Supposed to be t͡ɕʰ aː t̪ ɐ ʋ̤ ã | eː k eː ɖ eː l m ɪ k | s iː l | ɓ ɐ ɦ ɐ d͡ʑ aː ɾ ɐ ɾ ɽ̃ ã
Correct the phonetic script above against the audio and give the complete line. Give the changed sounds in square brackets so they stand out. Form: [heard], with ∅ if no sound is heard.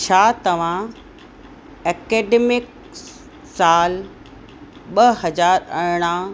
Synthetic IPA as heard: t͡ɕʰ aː t̪ ɐ ʋ̤ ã | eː k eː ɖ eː [∅] m ɪ k | s [aː] l | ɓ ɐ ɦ ɐ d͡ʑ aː ɾ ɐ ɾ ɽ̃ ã